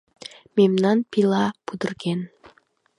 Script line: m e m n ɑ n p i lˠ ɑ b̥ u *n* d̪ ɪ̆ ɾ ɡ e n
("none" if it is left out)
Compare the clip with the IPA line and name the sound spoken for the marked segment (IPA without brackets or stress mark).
none